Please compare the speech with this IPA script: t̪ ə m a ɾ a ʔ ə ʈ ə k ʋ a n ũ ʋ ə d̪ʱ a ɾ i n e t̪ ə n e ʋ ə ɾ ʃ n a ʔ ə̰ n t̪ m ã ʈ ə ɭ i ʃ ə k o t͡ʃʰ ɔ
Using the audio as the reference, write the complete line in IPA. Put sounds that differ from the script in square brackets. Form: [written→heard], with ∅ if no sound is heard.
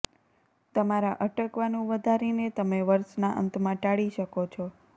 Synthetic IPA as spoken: t̪ ə m a ɾ a ʔ ə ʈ ə k ʋ a n ũ ʋ ə d̪ʱ a ɾ i n e t̪ ə [n→m] e ʋ ə ɾ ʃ n a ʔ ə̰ n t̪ m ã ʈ [ə→a] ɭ i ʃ ə k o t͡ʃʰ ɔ